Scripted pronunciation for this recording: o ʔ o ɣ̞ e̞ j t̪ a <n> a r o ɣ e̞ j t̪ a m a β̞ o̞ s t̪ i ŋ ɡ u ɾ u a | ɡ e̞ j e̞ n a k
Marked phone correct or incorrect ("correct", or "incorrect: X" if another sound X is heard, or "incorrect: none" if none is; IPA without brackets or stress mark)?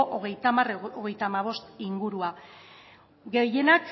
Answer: incorrect: m